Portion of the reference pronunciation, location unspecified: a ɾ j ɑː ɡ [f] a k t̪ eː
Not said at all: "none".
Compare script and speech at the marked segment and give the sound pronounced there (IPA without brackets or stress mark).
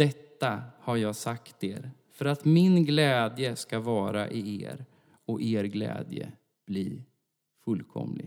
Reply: s